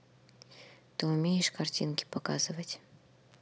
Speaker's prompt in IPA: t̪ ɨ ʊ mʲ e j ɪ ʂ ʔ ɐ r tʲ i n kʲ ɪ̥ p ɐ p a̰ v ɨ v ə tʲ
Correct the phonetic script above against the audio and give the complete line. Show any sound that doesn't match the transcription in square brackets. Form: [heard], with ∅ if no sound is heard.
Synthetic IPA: t̪ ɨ ʊ mʲ e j ɪ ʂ [k] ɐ r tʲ i n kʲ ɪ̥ p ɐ [k] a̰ [z] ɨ v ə tʲ